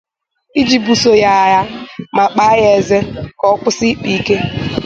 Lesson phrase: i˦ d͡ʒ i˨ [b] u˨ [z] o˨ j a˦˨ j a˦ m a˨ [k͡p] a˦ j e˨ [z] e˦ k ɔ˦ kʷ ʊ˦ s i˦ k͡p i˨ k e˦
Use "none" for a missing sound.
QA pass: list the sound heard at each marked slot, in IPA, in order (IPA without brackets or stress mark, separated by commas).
b, s, k͡p, z